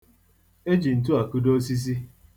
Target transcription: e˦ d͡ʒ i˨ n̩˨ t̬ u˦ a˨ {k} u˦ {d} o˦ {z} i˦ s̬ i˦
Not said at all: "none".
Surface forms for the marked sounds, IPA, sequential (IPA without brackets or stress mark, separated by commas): k, d, s